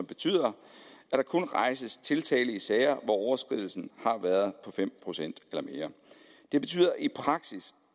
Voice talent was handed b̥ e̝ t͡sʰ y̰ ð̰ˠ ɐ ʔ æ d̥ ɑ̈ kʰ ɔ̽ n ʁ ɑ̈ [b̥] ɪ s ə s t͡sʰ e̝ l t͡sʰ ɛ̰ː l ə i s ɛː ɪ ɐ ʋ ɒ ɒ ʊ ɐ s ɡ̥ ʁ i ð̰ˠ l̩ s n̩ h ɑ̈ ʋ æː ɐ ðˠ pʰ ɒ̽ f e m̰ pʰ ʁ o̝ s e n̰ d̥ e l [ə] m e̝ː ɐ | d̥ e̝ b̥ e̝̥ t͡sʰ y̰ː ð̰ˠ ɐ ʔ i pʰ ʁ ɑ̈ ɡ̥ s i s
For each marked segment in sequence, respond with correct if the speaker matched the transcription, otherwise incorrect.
incorrect: none, incorrect: ɐ

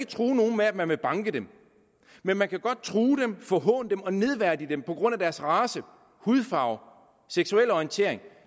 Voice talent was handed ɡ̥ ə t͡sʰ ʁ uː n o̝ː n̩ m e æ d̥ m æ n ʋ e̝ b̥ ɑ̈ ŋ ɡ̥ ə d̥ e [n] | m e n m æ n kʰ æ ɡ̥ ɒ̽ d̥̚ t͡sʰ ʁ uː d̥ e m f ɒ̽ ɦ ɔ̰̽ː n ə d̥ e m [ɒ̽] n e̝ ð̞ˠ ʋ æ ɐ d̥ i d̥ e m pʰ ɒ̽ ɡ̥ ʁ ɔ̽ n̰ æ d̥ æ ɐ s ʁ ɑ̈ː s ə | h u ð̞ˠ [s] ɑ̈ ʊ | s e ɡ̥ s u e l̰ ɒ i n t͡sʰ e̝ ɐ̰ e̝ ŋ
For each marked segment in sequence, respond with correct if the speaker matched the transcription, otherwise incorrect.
incorrect: m, correct, incorrect: f

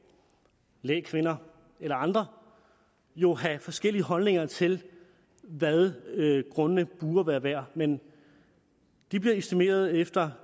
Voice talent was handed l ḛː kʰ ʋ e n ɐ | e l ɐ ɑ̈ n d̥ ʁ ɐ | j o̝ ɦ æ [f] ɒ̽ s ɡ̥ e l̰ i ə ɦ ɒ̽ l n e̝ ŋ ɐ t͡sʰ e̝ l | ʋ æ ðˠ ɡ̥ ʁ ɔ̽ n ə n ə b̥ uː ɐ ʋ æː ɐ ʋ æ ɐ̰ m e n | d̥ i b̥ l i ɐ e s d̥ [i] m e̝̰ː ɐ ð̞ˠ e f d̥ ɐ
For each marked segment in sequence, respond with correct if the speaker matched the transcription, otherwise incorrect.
correct, correct

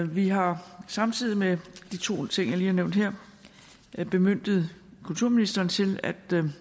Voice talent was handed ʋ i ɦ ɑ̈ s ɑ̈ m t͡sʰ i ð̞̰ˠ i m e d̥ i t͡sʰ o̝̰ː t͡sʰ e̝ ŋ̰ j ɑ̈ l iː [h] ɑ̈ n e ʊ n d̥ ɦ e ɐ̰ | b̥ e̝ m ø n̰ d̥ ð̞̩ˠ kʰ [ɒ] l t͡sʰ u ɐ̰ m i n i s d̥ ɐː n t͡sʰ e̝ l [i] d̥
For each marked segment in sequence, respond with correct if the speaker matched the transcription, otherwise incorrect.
correct, incorrect: u, incorrect: æ

